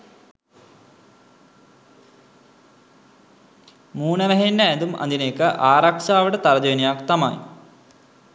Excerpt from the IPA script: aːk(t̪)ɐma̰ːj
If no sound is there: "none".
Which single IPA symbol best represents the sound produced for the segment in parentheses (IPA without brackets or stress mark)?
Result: t̪